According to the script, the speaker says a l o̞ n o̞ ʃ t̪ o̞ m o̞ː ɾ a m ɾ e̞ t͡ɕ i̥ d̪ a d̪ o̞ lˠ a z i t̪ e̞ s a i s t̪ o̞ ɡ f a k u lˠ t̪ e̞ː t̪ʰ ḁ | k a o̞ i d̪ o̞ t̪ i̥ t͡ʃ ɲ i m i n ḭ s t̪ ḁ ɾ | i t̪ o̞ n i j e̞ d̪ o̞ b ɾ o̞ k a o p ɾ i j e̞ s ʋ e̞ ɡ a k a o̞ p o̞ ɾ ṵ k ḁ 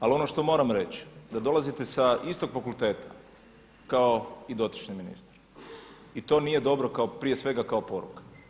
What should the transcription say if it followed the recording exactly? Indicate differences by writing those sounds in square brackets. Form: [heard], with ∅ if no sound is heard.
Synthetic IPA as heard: a l o̞ n o̞ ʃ t̪ o̞ m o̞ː ɾ a m ɾ e̞ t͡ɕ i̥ d̪ a d̪ o̞ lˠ a z i t̪ e̞ s a i s t̪ o̞ ɡ f a k u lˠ t̪ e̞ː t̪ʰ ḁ | k a o̞ i d̪ o̞ t̪ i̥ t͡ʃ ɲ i m i n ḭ s t̪ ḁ ɾ | i t̪ o̞ n i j e̞ d̪ o̞ b ɾ o̞ k a o p ɾ i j e̞ s ʋ e̞ ɡ a k a o̞ p o̞ ɾ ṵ k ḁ